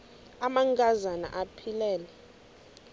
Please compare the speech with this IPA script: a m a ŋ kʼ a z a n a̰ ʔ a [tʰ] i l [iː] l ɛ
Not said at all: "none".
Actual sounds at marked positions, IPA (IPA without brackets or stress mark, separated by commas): pʰ, ɛː